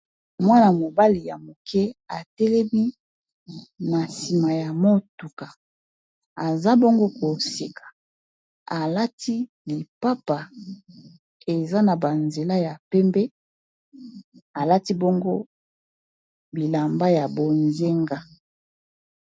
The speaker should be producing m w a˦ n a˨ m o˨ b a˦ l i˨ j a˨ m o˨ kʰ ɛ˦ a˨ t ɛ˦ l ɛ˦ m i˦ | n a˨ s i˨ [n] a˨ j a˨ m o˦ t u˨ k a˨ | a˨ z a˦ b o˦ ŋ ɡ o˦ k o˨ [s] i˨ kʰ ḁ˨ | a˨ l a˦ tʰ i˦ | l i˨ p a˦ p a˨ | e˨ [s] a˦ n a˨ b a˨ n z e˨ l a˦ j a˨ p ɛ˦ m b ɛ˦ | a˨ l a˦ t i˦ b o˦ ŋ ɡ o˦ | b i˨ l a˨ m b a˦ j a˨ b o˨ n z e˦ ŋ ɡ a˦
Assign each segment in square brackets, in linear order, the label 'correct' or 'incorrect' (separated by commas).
incorrect, correct, incorrect